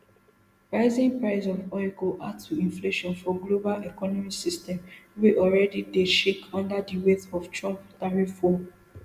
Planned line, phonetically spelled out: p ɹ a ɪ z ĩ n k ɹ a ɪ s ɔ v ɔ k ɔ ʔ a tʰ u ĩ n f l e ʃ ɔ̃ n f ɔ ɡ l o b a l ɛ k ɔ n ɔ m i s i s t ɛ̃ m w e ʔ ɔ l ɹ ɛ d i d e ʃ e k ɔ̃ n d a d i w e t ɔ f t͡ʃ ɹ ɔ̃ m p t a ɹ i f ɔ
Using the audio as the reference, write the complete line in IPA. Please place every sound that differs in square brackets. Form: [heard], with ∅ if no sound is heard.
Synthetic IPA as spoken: p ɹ a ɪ z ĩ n [p] ɹ a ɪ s ɔ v ɔ k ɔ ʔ a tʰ u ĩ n f l e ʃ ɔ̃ n f ɔ ɡ l o b a l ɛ k ɔ n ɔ m i s i s t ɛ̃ m w e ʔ ɔ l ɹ ɛ d i d e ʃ e k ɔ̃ n d a d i w e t ɔ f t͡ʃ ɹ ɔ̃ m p t a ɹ i f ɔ